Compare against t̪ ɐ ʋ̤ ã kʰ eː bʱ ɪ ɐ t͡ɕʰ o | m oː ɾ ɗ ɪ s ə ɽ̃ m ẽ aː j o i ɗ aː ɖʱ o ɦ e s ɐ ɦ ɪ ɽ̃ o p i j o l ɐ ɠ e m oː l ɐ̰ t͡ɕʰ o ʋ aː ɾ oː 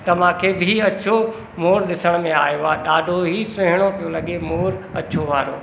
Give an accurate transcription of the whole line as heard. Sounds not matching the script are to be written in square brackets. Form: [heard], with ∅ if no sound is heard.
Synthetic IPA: t̪ ɐ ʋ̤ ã kʰ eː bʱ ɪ ɐ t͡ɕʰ o | m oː ɾ ɗ ɪ s ə ɽ̃ m ẽ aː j o [a] ɗ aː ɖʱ o ɦ [i] s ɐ ɦ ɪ ɽ̃ o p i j o l ɐ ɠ e m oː [ɾ] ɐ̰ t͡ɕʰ o ʋ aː ɾ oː